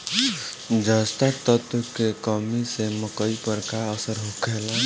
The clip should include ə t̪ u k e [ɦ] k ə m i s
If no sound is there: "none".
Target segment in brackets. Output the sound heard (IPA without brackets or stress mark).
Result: none